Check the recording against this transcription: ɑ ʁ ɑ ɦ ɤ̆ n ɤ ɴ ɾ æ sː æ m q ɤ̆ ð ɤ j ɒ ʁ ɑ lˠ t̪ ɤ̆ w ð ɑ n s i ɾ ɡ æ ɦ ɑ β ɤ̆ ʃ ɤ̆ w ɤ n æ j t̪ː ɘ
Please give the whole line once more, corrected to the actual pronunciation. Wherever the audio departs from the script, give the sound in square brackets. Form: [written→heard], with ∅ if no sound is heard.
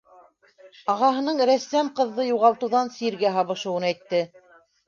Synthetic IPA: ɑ ʁ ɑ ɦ ɤ̆ n ɤ ɴ ɾ æ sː æ m q ɤ̆ [ð→ðː] ɤ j [ɒ→u] ʁ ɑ lˠ t̪ ɤ̆ w ð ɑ n s i ɾ ɡ æ ɦ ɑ β ɤ̆ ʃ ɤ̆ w ɤ n æ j t̪ː ɘ